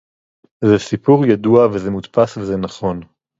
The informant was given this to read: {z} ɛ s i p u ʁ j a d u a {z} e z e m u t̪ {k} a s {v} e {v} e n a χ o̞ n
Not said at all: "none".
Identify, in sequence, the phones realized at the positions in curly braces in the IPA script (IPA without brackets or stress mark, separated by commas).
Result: z, v, p, v, z